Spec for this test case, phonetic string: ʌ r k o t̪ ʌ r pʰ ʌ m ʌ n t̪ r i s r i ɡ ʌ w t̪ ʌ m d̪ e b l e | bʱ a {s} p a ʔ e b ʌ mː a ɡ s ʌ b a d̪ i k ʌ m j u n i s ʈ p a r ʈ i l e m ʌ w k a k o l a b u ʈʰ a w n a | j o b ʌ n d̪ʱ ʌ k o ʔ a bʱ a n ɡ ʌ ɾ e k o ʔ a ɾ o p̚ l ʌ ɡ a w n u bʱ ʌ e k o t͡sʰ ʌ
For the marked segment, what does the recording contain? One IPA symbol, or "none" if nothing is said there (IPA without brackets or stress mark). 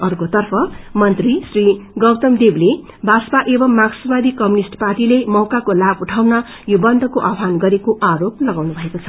s